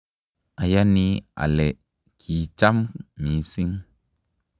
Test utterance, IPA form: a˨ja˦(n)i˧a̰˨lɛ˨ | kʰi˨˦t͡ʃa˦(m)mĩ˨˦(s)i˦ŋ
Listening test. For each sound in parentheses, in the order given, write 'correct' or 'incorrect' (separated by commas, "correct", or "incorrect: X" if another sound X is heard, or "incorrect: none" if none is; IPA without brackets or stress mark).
correct, correct, correct